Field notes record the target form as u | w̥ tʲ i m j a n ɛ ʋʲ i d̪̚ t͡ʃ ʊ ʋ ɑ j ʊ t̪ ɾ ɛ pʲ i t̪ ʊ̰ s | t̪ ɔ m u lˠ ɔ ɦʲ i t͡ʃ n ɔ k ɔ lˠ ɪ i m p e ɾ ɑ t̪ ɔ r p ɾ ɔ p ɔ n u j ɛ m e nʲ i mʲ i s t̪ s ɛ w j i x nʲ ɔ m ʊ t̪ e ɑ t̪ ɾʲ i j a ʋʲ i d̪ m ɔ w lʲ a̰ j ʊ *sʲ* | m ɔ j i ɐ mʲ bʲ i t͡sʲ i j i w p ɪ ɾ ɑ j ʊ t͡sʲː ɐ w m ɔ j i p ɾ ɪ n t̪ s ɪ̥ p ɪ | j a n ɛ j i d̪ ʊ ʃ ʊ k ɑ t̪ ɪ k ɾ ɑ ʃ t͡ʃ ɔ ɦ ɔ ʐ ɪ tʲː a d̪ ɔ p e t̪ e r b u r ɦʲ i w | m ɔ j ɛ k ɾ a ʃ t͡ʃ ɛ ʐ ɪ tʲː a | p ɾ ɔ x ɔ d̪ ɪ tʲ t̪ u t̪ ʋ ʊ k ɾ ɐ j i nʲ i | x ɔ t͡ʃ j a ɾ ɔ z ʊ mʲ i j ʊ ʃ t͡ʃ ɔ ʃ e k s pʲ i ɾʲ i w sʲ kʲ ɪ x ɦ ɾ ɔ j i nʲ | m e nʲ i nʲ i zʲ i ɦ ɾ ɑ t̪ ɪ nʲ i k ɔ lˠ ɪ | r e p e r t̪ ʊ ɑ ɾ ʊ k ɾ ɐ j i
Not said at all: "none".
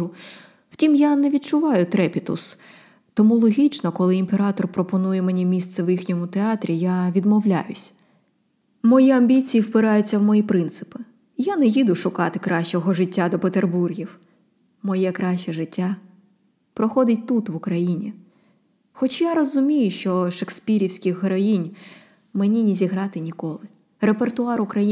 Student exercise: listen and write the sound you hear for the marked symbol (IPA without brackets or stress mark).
sʲ